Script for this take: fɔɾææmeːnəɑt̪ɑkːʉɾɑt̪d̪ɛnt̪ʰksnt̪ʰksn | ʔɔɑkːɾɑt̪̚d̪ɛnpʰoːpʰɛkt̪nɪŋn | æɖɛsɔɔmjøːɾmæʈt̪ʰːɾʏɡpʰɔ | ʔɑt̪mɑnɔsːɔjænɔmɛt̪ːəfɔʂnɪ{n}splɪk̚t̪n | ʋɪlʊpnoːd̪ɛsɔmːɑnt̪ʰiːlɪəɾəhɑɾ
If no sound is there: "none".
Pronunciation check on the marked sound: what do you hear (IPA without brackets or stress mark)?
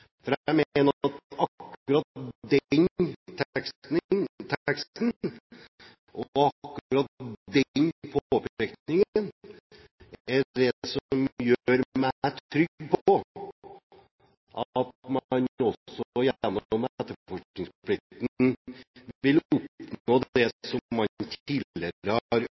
ŋ